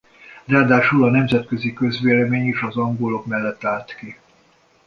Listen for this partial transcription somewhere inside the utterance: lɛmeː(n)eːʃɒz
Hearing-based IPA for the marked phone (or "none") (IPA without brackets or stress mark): ɲ